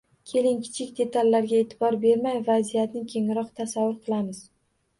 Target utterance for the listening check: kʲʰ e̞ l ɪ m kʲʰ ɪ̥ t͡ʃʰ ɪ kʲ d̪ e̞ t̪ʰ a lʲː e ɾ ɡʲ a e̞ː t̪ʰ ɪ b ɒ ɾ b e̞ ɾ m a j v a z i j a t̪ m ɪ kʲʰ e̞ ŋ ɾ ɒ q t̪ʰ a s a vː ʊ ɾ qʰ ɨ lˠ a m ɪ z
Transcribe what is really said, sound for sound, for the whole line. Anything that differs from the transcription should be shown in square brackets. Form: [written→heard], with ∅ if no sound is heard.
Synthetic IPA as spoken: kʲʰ e̞ l ɪ [m→ŋ] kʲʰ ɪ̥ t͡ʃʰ ɪ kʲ d̪ e̞ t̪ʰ a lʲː [e→a] ɾ ɡʲ a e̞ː t̪ʰ ɪ b ɒ ɾ b e̞ ɾ m a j v a z i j a t̪ [m→n] ɪ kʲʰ e̞ ŋ ɾ ɒ q t̪ʰ a s a vː ʊ ɾ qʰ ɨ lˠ a m ɪ z